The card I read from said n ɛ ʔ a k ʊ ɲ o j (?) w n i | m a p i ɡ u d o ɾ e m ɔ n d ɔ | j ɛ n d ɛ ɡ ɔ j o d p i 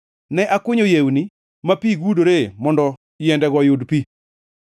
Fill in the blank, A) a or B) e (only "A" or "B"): B